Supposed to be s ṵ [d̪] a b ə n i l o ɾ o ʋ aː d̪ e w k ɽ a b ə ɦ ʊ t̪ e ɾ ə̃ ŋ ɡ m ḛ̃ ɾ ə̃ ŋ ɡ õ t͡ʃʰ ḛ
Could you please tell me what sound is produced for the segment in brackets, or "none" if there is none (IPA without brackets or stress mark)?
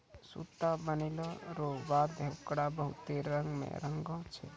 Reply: t̪